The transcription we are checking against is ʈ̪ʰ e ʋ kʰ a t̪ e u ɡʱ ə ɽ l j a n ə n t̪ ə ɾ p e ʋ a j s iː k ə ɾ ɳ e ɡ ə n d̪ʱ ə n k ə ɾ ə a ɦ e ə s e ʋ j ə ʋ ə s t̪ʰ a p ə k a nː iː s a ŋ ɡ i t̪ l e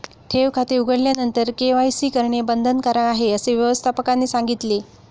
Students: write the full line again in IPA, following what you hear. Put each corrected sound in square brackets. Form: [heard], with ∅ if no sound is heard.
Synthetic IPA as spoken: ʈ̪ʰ e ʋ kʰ a t̪ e u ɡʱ ə ɽ l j a n ə n t̪ ə ɾ [k] e ʋ a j s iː k ə ɾ ɳ e [b] ə n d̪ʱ ə n k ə ɾ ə a ɦ e ə s e ʋ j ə ʋ ə s t̪ʰ a p ə k a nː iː s a ŋ ɡ i t̪ l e